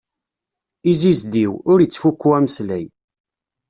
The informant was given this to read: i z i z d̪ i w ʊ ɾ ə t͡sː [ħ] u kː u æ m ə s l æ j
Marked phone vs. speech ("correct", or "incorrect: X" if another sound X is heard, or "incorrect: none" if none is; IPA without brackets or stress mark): incorrect: f